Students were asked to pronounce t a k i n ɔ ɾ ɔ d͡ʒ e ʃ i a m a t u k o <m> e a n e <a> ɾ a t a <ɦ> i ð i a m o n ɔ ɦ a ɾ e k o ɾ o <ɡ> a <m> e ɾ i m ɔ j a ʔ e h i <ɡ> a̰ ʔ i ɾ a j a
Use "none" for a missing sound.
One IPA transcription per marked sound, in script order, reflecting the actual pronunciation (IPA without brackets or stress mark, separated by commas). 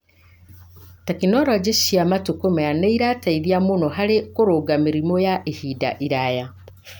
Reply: m, i, none, ɡ, m, d